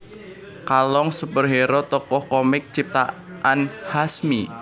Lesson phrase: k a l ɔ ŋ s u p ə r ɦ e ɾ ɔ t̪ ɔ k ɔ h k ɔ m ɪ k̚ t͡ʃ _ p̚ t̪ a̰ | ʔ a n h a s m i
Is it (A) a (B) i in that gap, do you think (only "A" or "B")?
B